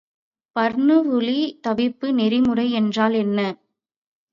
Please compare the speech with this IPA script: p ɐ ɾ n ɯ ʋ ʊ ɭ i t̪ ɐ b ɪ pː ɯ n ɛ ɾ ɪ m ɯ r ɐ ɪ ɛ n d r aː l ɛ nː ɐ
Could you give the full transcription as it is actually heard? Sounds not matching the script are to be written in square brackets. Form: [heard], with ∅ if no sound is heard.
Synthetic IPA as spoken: p ɐ ɾ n ɯ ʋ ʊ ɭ i t̪ ɐ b ɪ pː ɯ n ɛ ɾ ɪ m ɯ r ɐ ɪ ɛ n d r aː l ɛ nː ɐ